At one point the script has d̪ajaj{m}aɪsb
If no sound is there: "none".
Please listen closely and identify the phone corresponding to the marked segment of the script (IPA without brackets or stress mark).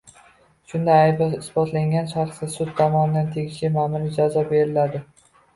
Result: b